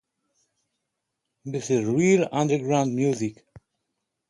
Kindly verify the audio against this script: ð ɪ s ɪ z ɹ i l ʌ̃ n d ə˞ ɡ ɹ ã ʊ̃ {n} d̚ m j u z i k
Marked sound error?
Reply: no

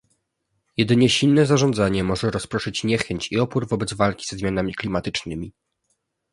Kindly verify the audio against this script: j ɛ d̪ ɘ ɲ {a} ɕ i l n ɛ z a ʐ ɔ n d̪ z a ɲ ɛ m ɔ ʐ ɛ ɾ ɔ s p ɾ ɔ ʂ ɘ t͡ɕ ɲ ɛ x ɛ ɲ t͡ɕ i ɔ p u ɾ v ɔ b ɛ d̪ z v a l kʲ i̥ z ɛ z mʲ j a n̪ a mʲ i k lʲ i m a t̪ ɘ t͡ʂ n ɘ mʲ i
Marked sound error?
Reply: yes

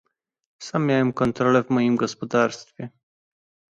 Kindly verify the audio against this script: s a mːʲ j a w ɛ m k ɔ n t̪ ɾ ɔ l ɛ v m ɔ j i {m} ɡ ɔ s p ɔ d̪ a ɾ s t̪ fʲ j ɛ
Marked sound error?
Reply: no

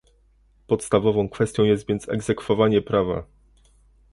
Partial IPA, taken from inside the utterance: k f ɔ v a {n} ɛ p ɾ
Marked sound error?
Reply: yes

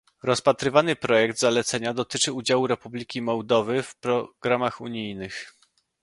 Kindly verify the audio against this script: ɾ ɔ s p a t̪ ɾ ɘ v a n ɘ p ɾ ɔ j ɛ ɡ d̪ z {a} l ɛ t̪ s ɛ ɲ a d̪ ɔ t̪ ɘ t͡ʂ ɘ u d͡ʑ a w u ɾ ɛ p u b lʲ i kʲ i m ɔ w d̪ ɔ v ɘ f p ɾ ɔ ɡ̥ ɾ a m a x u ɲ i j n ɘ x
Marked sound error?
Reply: no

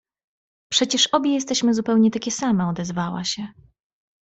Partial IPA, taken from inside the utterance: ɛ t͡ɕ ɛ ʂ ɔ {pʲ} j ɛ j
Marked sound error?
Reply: yes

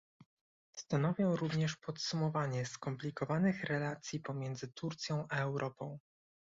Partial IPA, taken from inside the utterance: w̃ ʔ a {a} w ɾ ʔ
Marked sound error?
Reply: yes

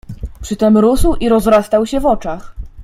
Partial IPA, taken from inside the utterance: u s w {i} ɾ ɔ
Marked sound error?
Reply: no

